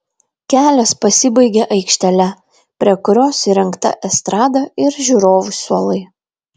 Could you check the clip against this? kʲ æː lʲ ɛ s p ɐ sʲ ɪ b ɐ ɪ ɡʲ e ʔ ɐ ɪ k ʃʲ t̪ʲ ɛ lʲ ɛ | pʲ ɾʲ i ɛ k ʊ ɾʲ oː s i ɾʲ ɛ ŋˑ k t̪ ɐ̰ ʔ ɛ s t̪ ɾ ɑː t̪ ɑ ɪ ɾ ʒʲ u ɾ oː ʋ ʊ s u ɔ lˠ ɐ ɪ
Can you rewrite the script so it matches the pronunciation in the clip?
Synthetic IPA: kʲ æː lʲ ɛ s p ɐ sʲ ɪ b ɐ ɪ ɡʲ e ʔ ɐ ɪ k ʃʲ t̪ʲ ɛ lʲ ɛ | pʲ ɾʲ i ɛ k ʊ ɾʲ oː s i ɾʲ ɛ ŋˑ k t̪ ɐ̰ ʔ ɛ s t̪ ɾ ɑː d̪ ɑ ɪ ɾ ʒʲ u ɾ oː ʋ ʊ s u ɔ lˠ ɐ ɪ